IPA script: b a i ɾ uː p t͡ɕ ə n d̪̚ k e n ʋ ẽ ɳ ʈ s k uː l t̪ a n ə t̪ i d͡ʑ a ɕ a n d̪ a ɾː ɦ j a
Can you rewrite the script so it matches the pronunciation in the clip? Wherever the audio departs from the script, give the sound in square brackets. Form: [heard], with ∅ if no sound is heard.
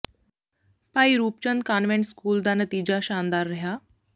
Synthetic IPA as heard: [p] a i ɾ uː p t͡ɕ ə n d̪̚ k [a] n ʋ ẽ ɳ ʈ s k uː l [d̪] a n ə t̪ i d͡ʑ a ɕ a n d̪ a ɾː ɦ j a